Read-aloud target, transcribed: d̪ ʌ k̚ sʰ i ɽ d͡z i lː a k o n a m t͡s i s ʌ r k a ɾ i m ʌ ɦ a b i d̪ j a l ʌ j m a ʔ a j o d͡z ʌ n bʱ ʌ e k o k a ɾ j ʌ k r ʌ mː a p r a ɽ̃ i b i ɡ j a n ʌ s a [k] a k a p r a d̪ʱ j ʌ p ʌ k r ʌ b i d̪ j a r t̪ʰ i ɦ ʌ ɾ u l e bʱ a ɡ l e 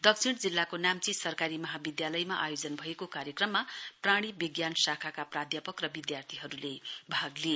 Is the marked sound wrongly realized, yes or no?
yes